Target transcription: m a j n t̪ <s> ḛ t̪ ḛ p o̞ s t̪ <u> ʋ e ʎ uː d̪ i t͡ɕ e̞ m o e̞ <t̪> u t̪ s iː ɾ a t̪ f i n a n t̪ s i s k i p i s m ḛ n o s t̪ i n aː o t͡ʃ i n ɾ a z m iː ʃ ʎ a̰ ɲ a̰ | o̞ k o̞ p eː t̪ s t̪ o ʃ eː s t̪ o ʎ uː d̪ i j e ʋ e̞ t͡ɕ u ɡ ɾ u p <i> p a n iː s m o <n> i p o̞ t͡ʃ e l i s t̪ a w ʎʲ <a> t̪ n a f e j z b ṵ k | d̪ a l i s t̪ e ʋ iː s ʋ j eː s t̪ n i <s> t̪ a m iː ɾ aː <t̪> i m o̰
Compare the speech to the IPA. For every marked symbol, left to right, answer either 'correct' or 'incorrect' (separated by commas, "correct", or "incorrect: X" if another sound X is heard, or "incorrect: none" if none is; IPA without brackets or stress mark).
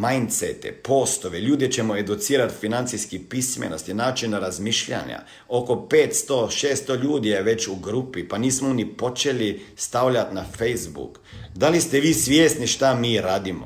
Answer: correct, incorrect: o, incorrect: d̪, correct, correct, correct, incorrect: ʃ, incorrect: d̪